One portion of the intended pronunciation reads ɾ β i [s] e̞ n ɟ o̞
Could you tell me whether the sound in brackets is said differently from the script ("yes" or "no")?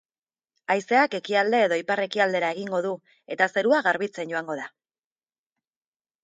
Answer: yes